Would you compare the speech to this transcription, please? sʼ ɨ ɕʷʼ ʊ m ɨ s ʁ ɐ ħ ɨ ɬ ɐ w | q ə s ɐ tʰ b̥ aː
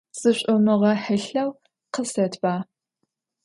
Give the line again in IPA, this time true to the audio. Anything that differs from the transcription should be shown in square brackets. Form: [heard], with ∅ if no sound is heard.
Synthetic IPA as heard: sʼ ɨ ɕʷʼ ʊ m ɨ [∅] ʁ ɐ ħ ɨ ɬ ɐ w | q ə s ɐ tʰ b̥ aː